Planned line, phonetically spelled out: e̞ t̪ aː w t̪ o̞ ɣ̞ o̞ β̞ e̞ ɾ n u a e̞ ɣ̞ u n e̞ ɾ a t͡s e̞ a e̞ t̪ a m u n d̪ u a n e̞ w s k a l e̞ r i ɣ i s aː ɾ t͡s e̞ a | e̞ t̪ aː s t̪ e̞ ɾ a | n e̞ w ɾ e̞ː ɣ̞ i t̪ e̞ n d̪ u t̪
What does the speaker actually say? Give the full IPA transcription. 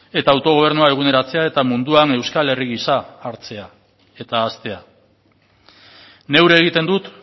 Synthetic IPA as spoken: e̞ t̪ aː w t̪ o̞ ɣ̞ o̞ β̞ e̞ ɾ n u a e̞ ɣ̞ u n e̞ ɾ a t͡s e̞ a e̞ t̪ a m u n d̪ u a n e̞ w s k a l e̞ r i ɣ i s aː ɾ t͡s e̞ a | e̞ t̪ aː s t̪ e̞ a | n e̞ w ɾ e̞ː ɣ̞ i t̪ e̞ n d̪ u t̪

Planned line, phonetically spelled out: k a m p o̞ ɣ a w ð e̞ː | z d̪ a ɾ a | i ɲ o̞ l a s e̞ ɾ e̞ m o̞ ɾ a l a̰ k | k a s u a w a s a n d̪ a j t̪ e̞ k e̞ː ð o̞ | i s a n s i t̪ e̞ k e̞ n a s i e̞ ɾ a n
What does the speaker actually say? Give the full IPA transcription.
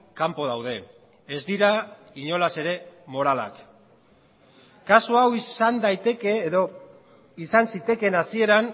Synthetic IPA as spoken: k a m p o̞ ð a w ð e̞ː | z d̪ i ɾ a | i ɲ o̞ l a s e̞ ɾ e̞ m o̞ ɾ a l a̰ k | k a s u a w i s a n d̪ a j t̪ e̞ k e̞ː ð o̞ | i s a n s i t̪ e̞ k e̞ n a s i e̞ ɾ a n

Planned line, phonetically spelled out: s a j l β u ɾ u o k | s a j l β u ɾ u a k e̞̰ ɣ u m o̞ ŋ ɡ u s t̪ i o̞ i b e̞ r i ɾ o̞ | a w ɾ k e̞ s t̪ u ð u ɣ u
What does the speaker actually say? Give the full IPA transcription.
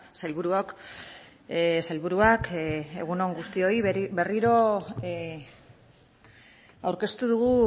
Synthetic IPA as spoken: s a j l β u ɾ u o k | s a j l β u ɾ u a k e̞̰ ɣ u n o̞ ŋ ɡ u s t̪ i o̞ i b e̞ r i ɾ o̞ | a w ɾ k e̞ s t̪ u ð u ɣ u

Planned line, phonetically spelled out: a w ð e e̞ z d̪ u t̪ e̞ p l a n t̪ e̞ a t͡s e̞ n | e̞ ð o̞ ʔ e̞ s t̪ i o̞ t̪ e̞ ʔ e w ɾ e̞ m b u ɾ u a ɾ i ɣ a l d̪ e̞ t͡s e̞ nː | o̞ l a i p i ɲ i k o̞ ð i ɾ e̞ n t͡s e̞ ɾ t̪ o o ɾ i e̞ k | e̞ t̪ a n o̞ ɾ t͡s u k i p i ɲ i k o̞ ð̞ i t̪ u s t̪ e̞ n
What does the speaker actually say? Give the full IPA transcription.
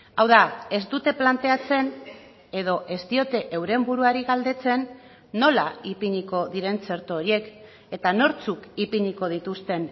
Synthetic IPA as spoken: a w ð a e̞ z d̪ u t̪ e̞ p l a n t̪ e̞ a t͡s e̞ n | e̞ ð o̞ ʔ e̞ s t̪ i o̞ t̪ e̞ ʔ e w ɾ e̞ m b u ɾ u a ɾ i ɣ a l d̪ e̞ t͡s e̞ nː | o̞ l a i p i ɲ i k o̞ ð i ɾ e̞ n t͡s e̞ ɾ t̪ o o ɾ i e̞ k | e̞ t̪ a n o̞ ɾ t͡s u k i p i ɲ i k o̞ ð̞ i t̪ u s t̪ e̞ n

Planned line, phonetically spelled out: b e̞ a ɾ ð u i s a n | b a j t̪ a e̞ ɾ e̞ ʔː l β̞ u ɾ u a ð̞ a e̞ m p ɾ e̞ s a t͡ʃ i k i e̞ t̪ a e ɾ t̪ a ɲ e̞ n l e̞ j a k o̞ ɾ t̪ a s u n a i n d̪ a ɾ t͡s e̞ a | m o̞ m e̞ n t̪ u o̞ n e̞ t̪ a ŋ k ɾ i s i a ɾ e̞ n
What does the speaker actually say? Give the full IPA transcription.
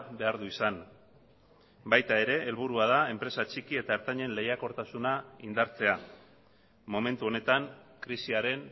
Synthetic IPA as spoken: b e̞ a ɾ ð u i s a n | b a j t̪ a e̞ ɾ e̞ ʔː l β̞ u ɾ u a ð̞ a e̞ m p ɾ e̞ s a t͡ʃ i k i e̞ t̪ a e ɾ t̪ a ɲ e̞ n l e̞ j a k o̞ ɾ t̪ a s u n a i n d̪ a ɾ t͡s e̞ a | m o̞ m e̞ n t̪ u o̞ n e̞ t̪ a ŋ k ɾ i s i a ɾ e̞ n

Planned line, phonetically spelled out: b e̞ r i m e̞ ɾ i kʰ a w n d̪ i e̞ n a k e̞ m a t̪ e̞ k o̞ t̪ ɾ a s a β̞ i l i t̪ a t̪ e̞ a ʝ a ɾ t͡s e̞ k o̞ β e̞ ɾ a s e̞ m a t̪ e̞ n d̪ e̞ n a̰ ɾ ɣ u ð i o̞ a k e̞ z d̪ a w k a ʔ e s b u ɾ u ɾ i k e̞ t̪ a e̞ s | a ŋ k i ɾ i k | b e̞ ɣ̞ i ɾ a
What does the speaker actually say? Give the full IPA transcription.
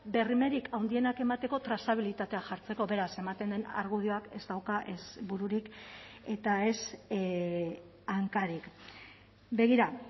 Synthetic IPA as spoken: b e̞ r i m e̞ ɾ i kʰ a w n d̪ i e̞ n a k e̞ m a t̪ e̞ k o̞ t̪ ɾ a s a β̞ i l i t̪ a t̪ e̞ a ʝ a ɾ t͡s e̞ k o̞ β e̞ ɾ a s e̞ m a t̪ e̞ n d̪ e̞ n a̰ ɾ ɣ u ð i o̞ a k e̞ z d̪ a w k a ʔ e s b u ɾ u ɾ i k e̞ t̪ a e̞ s | a ŋ k a ɾ i k | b e̞ ɣ̞ i ɾ a

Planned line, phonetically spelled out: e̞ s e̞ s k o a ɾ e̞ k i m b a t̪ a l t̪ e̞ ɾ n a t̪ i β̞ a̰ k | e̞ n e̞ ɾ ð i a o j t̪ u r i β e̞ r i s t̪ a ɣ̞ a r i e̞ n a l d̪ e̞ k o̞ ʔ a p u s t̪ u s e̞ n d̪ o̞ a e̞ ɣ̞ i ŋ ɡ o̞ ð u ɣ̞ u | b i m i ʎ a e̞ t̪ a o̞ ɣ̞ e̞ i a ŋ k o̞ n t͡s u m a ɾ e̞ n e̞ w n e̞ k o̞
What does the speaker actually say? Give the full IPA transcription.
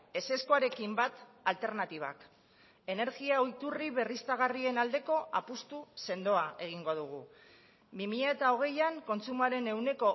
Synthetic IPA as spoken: e̞ s e̞ s k o a ɾ e̞ k i m b a t̪ a l t̪ e̞ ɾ n a t̪ i β̞ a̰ k | e̞ n e̞ ɾ ɣ i a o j t̪ u r i β e̞ r i s t̪ a ɣ̞ a r i e̞ n a l d̪ e̞ k o̞ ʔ a p u s t̪ u s e̞ n d̪ o̞ a e̞ ɣ̞ i ŋ ɡ o̞ ð u ɣ̞ u | b i m i ʎ a e̞ t̪ a o̞ ɣ̞ e̞ j a ŋ k o̞ n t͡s u m a ɾ e̞ n e̞ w n e̞ k o̞

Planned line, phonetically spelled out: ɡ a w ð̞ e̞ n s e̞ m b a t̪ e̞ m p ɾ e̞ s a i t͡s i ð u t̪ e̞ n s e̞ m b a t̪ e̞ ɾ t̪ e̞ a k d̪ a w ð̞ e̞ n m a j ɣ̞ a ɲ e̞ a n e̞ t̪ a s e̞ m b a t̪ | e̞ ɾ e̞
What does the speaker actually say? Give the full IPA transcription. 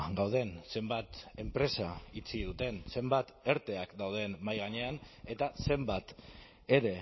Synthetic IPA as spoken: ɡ a w ð̞ e̞ n s e̞ m b a t̪ e̞ m p ɾ e̞ s a i t͡s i ð u t̪ e̞ n s e̞ m b a t̪ e̞ ɾ t̪ e̞ a k d̪ a w ð̞ e̞ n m a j ɣ̞ a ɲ e̞ a n e̞ t̪ a s e̞ m b a t̪ | e̞ ɾ e̞

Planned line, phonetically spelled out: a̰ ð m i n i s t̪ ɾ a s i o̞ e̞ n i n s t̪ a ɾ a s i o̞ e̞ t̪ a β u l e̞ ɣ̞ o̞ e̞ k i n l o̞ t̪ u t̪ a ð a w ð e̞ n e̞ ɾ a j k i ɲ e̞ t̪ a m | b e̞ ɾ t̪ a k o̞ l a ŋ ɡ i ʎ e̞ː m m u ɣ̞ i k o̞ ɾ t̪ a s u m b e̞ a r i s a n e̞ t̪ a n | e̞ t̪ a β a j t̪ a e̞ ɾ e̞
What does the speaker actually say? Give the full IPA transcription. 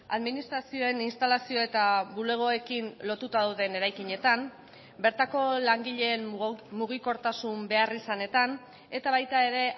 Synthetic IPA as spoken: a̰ ð m i n i s t̪ ɾ a s i o̞ e̞ n i n s t̪ a l a s i o̞ e̞ t̪ a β u l e̞ ɣ̞ o̞ e̞ k i n l o̞ t̪ u t̪ a ð a w ð e̞ n e̞ ɾ a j k i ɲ e̞ t̪ a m | b e̞ ɾ t̪ a k o̞ l a ŋ ɡ i ʎ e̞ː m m u ɣ̞ i k o̞ ɾ t̪ a s u m b e̞ a r i s a n e̞ t̪ a n | e̞ t̪ a β a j t̪ a e̞ ɾ e̞

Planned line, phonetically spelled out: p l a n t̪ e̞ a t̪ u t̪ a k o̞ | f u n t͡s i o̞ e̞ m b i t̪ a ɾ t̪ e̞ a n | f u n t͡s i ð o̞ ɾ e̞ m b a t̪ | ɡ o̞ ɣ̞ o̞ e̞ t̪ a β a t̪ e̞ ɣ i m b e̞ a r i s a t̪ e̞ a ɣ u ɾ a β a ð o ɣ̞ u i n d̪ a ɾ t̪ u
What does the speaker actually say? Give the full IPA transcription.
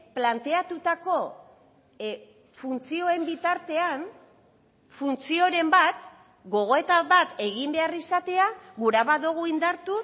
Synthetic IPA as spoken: p l a n t̪ e̞ a t̪ u t̪ a k o̞ | f u n t͡s i o̞ e̞ m b i t̪ a ɾ t̪ e̞ a n | f u n t͡s i o̞ ɾ e̞ m b a t̪ | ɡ o̞ ɣ̞ o̞ e̞ t̪ a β a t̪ e̞ ɣ i m b e̞ a r i s a t̪ e̞ a ɣ u ɾ a β a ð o ɣ̞ u i n d̪ a ɾ t̪ u

